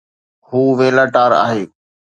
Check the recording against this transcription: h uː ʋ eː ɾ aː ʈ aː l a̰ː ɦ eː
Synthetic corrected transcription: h uː ʋ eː l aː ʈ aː ɾ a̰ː ɦ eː